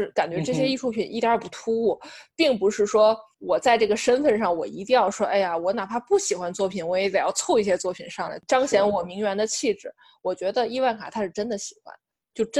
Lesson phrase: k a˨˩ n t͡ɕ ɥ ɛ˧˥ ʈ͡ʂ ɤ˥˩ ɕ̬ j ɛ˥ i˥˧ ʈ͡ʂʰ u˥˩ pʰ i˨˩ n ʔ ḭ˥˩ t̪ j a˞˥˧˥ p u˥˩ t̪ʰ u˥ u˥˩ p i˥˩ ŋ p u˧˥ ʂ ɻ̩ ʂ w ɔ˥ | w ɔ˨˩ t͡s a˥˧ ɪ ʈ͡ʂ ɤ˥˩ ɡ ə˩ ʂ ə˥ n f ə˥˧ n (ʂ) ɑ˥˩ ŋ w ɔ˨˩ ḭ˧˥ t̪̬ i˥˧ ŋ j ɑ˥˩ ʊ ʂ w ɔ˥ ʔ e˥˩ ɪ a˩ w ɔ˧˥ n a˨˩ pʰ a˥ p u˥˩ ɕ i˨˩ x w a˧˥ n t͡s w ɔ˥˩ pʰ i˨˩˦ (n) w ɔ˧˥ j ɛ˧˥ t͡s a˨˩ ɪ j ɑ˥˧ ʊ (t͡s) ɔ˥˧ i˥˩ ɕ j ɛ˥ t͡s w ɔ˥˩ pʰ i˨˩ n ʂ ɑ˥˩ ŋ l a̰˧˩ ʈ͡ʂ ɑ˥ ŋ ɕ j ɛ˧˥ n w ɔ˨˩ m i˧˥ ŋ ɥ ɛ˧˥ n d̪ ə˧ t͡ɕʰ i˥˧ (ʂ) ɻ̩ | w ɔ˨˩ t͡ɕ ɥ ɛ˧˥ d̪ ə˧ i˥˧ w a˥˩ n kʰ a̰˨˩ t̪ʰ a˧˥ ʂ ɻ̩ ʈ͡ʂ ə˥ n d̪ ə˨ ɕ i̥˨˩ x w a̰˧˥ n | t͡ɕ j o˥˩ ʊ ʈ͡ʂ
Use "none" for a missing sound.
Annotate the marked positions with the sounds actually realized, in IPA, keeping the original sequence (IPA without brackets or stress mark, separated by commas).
ʂ, n, t͡sʰ, ʈ͡ʂ